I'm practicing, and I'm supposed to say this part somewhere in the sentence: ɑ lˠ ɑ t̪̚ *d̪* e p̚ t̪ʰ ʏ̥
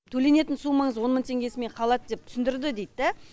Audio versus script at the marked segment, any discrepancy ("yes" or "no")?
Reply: no